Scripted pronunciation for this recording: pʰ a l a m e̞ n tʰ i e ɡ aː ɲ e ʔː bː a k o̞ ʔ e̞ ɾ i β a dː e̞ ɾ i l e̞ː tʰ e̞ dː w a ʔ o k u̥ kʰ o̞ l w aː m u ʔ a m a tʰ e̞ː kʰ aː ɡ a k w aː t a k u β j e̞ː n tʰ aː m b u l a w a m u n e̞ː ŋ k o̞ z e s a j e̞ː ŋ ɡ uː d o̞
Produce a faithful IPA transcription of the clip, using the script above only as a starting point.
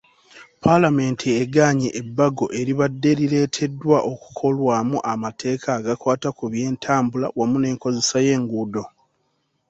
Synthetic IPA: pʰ a l a m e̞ n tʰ i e ɡ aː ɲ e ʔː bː a ɡ o̞ ʔ e̞ ɾ i β a dː e̞ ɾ i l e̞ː tʰ e̞ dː w a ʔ o k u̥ kʰ o̞ l w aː m u ʔ a m a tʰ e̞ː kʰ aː ɡ a k w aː t a k u β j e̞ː n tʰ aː m b u l a w a m u n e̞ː ŋ k o̞ z e s a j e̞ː ŋ ɡ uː d o̞